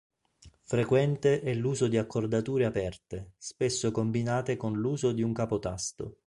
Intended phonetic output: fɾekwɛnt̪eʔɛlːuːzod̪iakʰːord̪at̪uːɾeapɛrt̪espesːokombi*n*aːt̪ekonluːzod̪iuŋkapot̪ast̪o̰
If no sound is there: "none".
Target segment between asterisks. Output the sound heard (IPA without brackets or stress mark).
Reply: n